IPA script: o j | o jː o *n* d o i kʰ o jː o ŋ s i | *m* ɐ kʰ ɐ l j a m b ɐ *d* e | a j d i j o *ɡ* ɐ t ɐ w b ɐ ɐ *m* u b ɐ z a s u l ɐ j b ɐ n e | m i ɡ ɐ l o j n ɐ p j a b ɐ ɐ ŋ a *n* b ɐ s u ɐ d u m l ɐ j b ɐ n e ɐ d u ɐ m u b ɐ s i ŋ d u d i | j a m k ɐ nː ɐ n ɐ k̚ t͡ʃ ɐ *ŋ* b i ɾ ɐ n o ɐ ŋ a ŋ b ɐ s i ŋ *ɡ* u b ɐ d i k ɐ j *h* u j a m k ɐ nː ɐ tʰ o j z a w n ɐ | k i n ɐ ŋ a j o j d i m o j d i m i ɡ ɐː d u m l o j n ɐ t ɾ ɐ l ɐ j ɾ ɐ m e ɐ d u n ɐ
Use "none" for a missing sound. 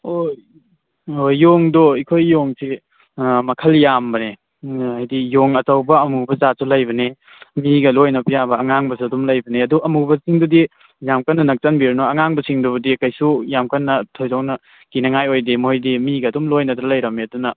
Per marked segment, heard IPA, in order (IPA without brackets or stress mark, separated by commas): ŋ, m, n, ŋ, m, ŋ, n, d, s